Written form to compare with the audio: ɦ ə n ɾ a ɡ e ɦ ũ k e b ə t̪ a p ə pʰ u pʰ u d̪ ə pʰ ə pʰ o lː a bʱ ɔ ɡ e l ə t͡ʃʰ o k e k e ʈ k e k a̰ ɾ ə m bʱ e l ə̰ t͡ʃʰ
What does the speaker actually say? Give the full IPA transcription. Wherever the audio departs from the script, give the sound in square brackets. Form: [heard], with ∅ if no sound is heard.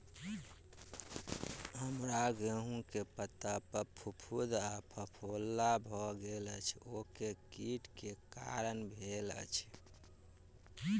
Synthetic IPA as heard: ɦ ə [m] ɾ a ɡ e ɦ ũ k e [p] ə t̪ a p ə pʰ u pʰ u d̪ [a] pʰ ə pʰ o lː a bʱ ɔ ɡ e l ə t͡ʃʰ o k e k [i] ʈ k e k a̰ ɾ ə [n] bʱ e l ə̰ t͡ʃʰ